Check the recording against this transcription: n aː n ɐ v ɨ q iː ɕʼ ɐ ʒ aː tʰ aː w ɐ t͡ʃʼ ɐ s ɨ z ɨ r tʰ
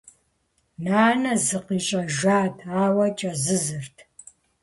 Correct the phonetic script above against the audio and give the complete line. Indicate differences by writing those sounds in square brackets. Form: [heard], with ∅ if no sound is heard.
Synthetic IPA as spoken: n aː n ɐ [z] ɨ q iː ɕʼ ɐ ʒ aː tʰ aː w ɐ t͡ʃʼ ɐ [z] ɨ z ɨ r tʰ